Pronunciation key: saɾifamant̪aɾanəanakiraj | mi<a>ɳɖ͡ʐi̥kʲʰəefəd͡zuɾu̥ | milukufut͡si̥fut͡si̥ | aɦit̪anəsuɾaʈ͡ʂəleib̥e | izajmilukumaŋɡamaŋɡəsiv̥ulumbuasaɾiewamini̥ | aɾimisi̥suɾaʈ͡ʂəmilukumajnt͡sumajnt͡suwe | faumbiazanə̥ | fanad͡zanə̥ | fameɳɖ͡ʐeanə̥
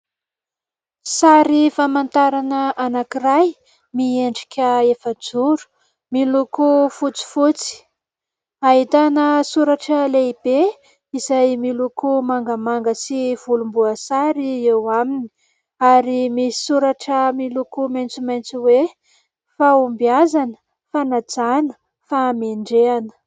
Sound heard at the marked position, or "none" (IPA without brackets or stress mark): e